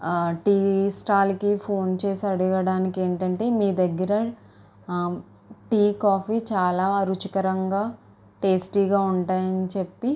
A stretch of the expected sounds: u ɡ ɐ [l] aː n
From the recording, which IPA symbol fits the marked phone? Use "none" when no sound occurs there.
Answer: ɽ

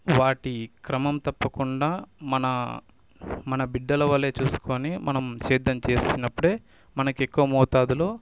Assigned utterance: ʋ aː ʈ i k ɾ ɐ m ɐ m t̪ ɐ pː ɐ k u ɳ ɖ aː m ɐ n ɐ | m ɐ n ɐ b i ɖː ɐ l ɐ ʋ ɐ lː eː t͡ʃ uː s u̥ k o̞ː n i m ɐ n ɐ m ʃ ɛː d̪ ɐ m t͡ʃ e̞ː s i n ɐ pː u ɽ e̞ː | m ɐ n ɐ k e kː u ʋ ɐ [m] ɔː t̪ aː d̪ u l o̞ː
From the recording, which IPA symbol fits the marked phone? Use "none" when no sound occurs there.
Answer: m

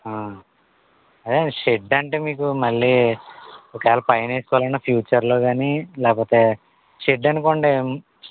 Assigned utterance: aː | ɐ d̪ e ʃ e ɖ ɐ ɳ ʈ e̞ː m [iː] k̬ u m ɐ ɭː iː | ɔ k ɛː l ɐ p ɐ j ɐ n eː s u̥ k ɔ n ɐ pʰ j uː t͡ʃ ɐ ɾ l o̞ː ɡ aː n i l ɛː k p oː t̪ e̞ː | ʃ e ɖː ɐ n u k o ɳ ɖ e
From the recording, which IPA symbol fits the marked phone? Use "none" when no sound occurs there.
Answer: iː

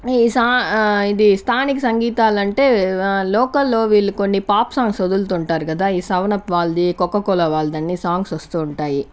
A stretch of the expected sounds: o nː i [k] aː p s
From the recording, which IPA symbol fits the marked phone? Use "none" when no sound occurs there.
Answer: p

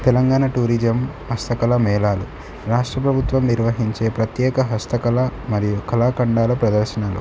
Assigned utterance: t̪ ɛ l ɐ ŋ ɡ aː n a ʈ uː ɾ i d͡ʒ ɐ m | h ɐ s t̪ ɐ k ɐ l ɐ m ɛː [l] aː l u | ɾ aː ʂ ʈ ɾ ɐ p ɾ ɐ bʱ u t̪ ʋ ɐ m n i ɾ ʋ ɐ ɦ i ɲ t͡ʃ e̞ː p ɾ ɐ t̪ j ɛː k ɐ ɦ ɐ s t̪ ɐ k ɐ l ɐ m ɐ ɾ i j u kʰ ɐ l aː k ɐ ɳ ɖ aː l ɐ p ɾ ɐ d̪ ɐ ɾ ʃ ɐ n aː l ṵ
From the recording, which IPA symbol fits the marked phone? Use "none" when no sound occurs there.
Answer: l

